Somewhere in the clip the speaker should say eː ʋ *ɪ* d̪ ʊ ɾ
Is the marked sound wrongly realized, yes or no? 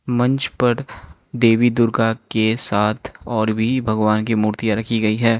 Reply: yes